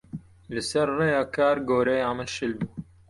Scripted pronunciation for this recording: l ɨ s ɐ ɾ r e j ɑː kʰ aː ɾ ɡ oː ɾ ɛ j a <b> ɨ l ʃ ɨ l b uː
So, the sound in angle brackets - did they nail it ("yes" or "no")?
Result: no